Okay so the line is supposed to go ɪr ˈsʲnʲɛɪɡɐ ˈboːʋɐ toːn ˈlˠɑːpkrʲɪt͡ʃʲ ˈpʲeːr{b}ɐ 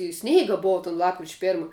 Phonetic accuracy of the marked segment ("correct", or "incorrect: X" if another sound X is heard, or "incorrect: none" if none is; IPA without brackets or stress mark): incorrect: m